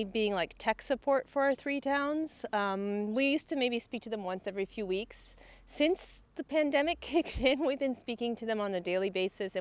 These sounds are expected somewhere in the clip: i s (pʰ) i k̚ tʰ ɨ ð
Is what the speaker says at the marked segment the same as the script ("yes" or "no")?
no